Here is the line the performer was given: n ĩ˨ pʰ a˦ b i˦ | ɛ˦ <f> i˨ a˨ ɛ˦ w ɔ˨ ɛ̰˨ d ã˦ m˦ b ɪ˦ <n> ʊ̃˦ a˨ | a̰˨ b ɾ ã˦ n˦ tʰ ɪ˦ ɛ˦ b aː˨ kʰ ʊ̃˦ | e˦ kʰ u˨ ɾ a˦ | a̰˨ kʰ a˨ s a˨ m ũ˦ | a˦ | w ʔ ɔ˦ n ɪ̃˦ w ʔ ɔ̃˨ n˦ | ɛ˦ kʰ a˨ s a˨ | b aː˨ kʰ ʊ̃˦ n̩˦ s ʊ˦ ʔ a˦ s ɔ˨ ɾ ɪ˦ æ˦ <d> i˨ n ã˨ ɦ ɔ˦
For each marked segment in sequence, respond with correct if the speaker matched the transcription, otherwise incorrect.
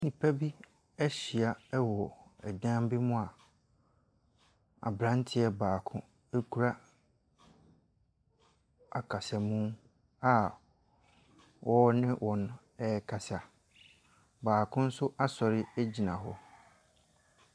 incorrect: ɕ, incorrect: m, incorrect: d͡ʑ

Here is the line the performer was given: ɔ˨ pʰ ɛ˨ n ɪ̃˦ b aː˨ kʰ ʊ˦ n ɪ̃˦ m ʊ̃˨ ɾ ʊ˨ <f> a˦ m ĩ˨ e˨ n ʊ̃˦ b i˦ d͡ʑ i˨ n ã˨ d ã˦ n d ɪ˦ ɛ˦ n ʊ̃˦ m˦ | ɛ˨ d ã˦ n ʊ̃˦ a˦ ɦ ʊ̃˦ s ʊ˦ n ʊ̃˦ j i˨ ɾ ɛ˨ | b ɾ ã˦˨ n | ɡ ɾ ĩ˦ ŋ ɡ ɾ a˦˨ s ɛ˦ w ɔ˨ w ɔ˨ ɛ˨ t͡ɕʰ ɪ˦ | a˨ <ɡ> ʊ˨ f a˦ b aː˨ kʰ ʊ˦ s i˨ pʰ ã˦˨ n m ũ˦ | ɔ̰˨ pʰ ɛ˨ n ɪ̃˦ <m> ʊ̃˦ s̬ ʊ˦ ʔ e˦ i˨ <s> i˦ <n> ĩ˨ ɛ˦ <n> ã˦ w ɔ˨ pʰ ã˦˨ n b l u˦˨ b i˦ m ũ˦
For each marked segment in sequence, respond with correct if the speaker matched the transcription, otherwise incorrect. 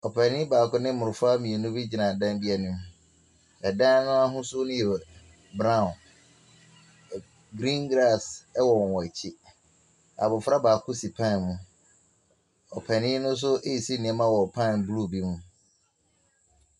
correct, incorrect: b, incorrect: n, correct, correct, incorrect: m

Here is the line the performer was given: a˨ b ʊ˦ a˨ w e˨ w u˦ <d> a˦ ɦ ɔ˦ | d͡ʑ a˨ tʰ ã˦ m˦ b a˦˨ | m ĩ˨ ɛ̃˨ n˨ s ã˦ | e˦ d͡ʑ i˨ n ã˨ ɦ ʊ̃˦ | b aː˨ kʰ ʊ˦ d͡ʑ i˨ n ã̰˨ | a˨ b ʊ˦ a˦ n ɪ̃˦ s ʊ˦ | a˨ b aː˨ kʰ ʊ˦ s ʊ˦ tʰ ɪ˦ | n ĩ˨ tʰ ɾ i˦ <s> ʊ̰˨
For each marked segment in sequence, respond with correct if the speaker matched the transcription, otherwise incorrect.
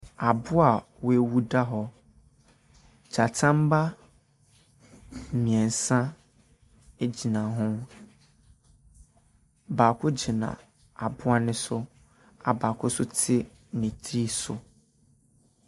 correct, correct

